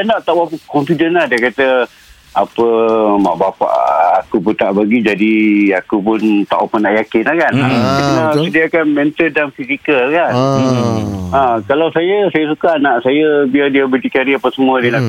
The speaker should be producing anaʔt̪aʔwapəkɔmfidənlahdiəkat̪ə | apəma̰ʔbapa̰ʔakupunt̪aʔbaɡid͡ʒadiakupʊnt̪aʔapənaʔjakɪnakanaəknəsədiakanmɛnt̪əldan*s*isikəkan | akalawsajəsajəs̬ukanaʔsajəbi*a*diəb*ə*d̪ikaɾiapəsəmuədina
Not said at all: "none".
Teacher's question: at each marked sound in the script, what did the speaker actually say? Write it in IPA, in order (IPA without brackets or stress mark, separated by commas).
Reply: f, a, ə